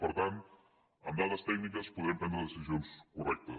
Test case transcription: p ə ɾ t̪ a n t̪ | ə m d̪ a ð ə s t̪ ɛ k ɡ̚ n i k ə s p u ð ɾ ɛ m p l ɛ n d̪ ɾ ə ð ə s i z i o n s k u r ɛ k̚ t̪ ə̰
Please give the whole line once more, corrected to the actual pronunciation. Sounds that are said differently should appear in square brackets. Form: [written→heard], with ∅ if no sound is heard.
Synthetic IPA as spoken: p ə ɾ t̪ a n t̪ | ə m d̪ a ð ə s t̪ ɛ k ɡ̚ n i k ə s p u ð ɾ ɛ m p [l→ɾ] ɛ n d̪ ɾ ə ð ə s i z i o n s k u r ɛ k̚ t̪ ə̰

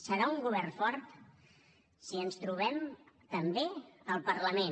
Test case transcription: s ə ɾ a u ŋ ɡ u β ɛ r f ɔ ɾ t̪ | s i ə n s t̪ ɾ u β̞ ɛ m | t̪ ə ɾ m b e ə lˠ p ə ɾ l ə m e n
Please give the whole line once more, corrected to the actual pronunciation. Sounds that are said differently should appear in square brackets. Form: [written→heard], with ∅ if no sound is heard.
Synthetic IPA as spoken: s ə ɾ a u ŋ ɡ u β ɛ r f ɔ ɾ t̪ | s i ə n s t̪ ɾ u β̞ ɛ m | t̪ ə [ɾ→∅] m b e ə lˠ p ə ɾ l ə m e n

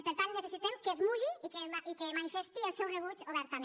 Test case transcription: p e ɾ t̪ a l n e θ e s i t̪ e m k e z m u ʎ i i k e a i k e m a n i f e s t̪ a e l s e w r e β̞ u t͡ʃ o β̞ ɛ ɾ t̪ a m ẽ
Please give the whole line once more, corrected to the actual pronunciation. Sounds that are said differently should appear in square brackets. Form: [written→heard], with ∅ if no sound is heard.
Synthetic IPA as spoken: p e ɾ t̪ a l n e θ e s i t̪ e m k e z m u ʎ i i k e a i k e m a n i f e s t̪ [a→i] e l s e w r e β̞ u t͡ʃ o β̞ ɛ ɾ t̪ a m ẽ

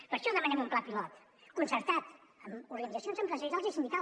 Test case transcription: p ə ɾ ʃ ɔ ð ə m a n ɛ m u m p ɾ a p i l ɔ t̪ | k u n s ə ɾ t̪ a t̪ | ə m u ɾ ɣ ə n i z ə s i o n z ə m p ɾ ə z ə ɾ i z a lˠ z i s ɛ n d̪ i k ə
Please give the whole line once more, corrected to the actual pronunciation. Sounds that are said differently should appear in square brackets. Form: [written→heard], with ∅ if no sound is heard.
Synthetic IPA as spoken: p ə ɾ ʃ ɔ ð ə m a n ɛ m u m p [ɾ→l] a p i l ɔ t̪ | k u n s ə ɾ t̪ a t̪ | ə m u ɾ ɣ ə n i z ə s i o n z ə m p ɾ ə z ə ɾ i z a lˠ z i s [ɛ→i] n d̪ i k [ə→a]

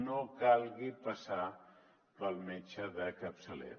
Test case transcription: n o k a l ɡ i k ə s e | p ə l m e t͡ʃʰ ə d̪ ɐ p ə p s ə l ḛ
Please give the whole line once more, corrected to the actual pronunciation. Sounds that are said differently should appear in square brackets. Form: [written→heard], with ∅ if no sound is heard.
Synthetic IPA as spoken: n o k a l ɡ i [k→p] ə s [e→a] | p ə l m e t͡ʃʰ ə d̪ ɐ [p→k] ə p s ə l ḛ

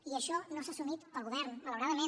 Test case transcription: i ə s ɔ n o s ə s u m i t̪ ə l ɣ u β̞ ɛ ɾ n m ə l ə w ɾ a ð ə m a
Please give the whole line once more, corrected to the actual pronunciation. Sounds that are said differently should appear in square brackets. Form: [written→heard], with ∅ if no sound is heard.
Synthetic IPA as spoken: i ə [s→ʃ] ɔ n o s [ə→a] s u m i t̪ ə l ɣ u β̞ ɛ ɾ n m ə l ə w ɾ a ð ə m [a→e]

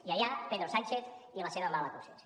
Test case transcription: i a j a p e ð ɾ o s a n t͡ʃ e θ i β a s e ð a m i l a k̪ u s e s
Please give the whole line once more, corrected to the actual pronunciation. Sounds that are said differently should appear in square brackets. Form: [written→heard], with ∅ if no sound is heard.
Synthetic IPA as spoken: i a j a p e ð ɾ o s a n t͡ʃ e θ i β a s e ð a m [i→a] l a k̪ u s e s

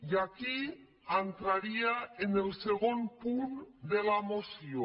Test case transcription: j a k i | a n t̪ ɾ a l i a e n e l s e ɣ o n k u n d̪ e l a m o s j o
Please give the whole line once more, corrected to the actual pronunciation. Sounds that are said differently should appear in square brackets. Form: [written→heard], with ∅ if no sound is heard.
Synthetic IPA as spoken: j a k i | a n t̪ ɾ a [l→ɾ] i a e n e l s e ɣ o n [k→p] u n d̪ e l a m o s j o

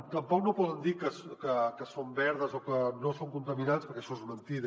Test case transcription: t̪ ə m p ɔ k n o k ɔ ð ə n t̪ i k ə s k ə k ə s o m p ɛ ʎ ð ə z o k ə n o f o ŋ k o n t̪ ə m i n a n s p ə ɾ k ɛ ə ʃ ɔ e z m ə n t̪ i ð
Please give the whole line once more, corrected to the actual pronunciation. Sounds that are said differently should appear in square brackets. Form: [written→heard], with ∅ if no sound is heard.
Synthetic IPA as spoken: t̪ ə m p ɔ k n o [k→p] ɔ ð ə n [t̪→d̪] i k ə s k ə k ə s o m [p→b] ɛ [ʎ→ɾ] ð ə z o k ə n o [f→s] o ŋ k [o→u] n t̪ ə m i n a n s p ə ɾ k ɛ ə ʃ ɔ e z m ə n t̪ i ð

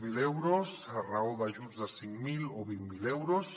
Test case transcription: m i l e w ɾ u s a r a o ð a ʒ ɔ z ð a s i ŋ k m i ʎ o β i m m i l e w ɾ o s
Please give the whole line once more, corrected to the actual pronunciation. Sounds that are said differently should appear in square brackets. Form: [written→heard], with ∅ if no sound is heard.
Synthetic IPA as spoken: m i l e w ɾ [u→o] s a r a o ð a ʒ [ɔ→u] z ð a s i ŋ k m i [ʎ→l] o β i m m i l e w ɾ o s

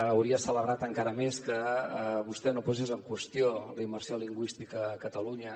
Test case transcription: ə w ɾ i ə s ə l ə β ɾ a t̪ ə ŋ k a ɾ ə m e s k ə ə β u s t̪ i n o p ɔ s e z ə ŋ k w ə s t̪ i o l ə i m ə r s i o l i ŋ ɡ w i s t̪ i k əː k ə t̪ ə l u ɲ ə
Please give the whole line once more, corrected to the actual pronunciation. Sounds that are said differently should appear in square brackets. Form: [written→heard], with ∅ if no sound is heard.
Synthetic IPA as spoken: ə w ɾ i ə s ə l ə β ɾ a t̪ ə ŋ k a ɾ ə m e s k ə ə β u s t̪ [i→ɛ] n o p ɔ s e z ə ŋ k w ə s t̪ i o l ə i m ə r s i o l i ŋ ɡ w i s t̪ i k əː k ə t̪ ə l u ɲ ə

